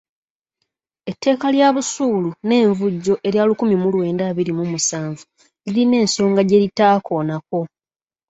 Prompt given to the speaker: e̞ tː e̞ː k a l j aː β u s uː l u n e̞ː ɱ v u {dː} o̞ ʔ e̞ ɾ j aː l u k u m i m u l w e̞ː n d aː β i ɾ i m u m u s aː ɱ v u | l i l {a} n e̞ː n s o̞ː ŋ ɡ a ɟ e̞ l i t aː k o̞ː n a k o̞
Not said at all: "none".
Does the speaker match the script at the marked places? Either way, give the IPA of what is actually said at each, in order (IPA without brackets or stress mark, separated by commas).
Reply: ɟː, i